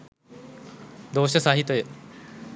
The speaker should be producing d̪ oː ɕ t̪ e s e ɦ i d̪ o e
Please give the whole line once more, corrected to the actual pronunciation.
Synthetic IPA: d̪ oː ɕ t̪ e s a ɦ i t̪ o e